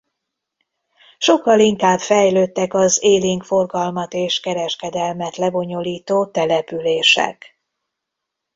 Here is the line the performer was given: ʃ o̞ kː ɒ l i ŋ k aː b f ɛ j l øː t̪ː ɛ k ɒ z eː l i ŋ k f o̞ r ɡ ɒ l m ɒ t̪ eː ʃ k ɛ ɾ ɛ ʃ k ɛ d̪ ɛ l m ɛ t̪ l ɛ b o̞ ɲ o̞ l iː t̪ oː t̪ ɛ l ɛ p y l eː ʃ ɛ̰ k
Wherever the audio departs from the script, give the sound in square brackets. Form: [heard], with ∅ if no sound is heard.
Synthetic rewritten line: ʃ o̞ kː ɒ l i ŋ k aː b f ɛ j l øː t̪ː ɛ k ɒ z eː l i ŋ k f o̞ r ɡ ɒ l m ɒ t̪ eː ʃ k ɛ ɾ ɛ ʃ k ɛ d̪ ɛ l m ɛ t̪ l ɛ b o̞ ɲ o̞ l iː t̪ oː t̪ ɛ l ɛ p y l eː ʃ ɛ̰ k